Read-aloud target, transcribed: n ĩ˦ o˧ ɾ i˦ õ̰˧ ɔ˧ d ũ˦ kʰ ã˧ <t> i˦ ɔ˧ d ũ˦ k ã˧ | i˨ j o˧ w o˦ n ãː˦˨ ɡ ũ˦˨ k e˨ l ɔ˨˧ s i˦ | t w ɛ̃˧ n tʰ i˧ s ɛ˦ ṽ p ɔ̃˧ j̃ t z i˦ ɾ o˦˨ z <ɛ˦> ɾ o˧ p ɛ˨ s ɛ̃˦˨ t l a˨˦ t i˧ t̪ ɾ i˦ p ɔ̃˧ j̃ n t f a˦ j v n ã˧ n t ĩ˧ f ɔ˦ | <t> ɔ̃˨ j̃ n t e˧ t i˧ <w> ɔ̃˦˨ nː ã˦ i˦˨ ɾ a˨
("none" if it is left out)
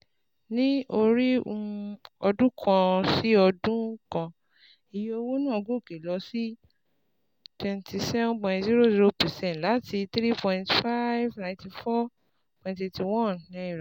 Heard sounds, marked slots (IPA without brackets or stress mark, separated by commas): s, i˦, p, w